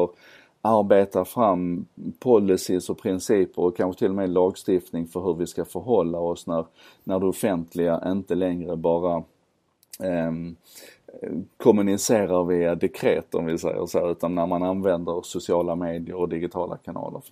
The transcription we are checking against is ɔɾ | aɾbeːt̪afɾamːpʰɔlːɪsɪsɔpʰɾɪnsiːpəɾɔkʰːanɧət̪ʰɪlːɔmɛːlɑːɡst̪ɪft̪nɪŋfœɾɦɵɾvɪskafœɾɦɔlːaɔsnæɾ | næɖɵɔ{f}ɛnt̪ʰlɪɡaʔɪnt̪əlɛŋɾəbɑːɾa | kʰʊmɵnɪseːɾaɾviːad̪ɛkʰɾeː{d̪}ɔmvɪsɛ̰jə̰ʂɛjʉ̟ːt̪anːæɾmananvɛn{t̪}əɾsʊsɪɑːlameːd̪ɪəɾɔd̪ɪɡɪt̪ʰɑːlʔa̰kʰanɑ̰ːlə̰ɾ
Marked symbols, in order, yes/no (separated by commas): yes, no, no